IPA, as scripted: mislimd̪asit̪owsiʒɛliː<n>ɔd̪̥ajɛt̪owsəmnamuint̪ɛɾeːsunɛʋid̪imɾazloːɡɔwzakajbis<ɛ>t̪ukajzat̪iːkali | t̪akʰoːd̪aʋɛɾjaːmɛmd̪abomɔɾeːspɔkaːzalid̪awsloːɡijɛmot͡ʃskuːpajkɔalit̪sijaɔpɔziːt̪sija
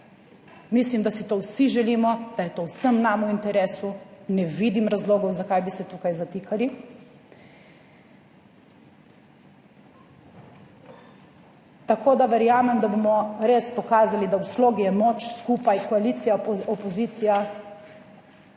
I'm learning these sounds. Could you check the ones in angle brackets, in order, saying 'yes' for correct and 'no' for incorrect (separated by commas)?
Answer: no, yes